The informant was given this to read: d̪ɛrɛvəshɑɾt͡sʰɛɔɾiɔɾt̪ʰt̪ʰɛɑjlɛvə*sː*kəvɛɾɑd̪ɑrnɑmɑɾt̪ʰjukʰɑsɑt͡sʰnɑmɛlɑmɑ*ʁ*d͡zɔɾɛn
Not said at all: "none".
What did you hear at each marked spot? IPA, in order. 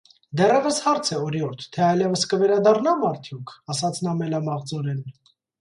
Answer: s, ʁ

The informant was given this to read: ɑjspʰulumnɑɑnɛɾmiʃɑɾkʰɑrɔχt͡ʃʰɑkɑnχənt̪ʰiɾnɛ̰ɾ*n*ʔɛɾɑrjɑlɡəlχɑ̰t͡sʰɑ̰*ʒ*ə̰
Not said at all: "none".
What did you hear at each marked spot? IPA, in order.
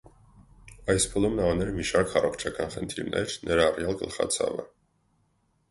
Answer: n, v

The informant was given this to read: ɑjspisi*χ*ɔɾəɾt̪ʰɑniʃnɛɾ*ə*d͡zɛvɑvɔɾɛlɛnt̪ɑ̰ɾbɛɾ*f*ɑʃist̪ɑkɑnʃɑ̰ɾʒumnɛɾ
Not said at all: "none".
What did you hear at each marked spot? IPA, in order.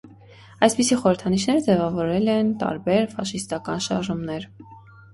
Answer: χ, ə, f

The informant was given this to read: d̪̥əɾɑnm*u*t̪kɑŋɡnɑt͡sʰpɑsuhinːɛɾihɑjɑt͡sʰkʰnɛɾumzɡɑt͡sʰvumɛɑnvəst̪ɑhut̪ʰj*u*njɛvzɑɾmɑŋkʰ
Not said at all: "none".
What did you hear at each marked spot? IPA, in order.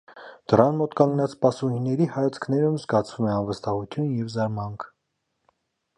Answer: ɔ, u

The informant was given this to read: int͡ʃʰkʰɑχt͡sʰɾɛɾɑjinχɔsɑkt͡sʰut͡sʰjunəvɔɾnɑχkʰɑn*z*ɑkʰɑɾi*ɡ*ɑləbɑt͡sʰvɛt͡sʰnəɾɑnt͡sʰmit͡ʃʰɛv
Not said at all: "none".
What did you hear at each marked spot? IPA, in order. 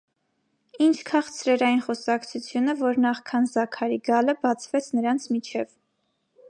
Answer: z, ɡ

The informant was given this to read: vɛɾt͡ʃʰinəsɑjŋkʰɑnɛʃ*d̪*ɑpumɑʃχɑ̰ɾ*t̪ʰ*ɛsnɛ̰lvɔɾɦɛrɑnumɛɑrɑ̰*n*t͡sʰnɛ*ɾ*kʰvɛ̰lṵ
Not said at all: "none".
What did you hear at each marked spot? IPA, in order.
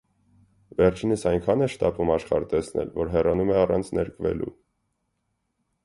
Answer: t̪, t̪, n, ɾ

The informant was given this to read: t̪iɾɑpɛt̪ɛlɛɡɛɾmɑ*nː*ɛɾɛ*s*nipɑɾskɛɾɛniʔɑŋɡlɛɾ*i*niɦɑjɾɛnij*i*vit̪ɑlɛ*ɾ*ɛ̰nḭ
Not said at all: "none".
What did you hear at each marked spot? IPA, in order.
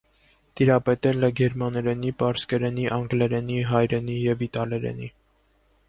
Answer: n, none, ɛ, ɛ, ɾ

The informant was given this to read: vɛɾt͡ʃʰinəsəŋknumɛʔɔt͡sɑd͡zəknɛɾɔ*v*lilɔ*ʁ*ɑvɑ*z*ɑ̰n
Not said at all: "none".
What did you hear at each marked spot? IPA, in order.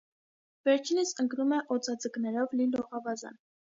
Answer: v, ʁ, z

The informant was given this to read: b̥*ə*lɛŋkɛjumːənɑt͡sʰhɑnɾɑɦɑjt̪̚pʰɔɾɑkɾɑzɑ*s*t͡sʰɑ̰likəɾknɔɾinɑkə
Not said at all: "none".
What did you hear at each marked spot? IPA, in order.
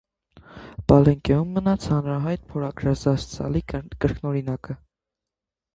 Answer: ɑ, s

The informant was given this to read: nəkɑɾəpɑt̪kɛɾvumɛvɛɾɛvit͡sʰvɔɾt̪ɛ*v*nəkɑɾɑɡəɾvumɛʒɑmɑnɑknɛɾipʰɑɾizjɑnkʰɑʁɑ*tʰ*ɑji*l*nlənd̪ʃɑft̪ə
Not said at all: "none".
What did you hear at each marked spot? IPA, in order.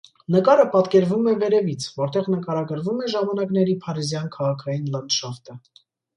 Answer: ʁ, kʰ, none

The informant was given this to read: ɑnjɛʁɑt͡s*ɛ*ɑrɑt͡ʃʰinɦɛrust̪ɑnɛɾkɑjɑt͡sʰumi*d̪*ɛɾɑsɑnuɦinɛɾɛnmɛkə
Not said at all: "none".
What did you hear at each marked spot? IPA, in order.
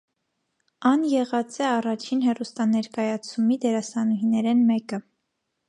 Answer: ɛ, d̪

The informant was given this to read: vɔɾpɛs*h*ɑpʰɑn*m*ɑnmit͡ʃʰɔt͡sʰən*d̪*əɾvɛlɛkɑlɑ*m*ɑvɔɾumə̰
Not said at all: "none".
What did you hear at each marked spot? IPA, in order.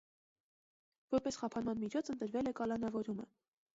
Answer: χ, m, t̪, n

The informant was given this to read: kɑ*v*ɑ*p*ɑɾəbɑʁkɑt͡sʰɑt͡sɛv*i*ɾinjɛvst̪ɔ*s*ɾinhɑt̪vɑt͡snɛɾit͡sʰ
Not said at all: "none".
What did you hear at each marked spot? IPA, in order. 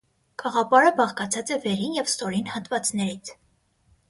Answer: ʁ, p, ɛ, none

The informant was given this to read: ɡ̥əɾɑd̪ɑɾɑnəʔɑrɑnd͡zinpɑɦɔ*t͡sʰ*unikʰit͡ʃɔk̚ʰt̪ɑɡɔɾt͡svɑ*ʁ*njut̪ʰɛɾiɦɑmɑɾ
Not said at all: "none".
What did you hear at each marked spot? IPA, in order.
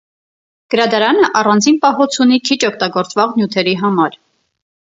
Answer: t͡sʰ, ʁ

